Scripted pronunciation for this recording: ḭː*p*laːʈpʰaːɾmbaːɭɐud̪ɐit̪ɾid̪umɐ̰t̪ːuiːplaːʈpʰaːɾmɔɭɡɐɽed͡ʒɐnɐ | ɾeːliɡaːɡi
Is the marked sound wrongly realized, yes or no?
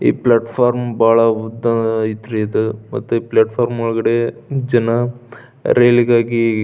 no